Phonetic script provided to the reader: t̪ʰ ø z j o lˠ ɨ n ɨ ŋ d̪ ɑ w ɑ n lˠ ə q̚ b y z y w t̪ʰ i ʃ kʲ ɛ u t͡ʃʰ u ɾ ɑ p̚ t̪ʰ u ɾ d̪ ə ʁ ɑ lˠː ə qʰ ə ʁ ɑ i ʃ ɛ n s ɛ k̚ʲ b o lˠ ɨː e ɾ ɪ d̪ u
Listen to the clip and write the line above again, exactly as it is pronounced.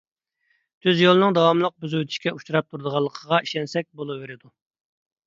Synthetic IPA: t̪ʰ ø z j o lˠ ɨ n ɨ ŋ d̪ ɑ w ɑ m lˠ ə q̚ b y z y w t̪ʰ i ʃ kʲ ɛ u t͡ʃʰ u ɾ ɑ p̚ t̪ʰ u ɾ d̪ ə ʁ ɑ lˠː ə qʰ ə ʁ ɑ i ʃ ɛ n s ɛ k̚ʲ b o lˠ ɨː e ɾ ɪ d̪ u